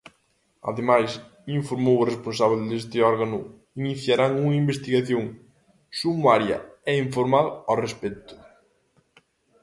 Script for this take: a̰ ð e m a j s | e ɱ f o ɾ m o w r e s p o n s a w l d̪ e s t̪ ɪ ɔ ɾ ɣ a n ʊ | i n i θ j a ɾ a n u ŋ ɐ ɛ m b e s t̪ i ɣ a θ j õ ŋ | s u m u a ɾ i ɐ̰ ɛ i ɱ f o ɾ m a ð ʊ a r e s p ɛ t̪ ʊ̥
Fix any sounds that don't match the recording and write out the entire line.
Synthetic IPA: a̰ ð e m a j s | i ɱ f o ɾ m o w r e s p o n s a β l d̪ e s t̪ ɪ ɔ ɾ ɣ a n ʊ | i n i θ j a ɾ a ŋ u ŋ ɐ i m b e s t̪ i ɣ a θ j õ ŋ | s u m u a ɾ j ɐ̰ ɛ i ɱ f o ɾ m a ð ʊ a r e s p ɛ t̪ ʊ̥